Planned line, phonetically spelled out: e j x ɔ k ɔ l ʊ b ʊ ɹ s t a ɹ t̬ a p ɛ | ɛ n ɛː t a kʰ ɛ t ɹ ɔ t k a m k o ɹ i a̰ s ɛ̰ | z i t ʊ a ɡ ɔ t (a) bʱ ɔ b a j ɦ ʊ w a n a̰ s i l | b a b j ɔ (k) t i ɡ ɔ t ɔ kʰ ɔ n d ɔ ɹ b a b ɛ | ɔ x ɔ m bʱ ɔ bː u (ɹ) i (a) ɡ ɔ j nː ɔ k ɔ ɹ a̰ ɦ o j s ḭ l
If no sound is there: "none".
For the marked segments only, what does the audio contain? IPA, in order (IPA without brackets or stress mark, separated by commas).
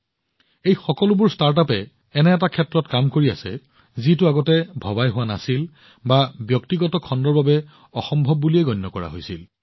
ɛ, k, l, ɛ